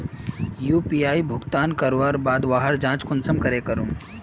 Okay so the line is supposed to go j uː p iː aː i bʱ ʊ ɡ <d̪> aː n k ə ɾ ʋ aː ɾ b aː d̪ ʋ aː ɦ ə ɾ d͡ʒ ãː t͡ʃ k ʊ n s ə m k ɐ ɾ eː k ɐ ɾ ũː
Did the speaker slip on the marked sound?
yes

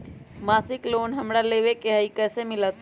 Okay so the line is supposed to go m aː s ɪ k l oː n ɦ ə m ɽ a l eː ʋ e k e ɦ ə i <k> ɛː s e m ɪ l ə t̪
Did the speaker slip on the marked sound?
no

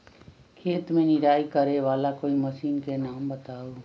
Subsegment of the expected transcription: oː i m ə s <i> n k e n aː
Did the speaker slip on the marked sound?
yes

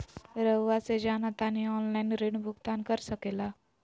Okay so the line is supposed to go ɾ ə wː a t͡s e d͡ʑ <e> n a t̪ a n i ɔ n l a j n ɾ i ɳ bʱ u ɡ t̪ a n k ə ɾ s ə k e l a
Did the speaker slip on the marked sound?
yes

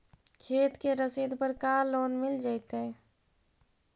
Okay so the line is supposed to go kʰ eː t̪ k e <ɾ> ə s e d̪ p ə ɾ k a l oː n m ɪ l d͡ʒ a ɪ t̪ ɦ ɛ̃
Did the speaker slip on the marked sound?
no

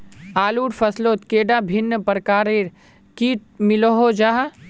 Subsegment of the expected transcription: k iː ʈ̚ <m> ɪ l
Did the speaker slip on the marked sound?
no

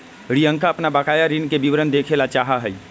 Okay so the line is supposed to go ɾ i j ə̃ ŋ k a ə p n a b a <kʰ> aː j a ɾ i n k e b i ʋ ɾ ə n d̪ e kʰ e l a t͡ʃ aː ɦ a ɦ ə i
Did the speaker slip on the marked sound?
yes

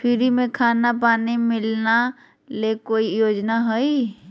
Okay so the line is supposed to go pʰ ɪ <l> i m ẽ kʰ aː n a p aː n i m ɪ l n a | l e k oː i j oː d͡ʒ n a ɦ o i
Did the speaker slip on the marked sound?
yes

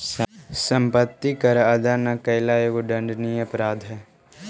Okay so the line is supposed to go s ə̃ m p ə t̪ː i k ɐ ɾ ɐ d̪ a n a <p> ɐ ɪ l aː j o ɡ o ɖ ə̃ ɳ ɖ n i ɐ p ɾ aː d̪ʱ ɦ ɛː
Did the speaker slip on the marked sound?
yes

